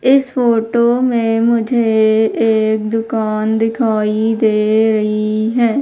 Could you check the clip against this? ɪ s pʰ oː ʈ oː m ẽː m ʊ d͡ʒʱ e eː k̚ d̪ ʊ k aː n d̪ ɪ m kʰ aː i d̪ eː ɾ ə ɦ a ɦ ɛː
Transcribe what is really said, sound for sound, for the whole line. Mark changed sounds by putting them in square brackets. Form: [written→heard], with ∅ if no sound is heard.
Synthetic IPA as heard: ɪ s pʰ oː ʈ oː m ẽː m ʊ d͡ʒʱ e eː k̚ d̪ ʊ k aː n d̪ ɪ [m→∅] kʰ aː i d̪ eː ɾ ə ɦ [a→i] ɦ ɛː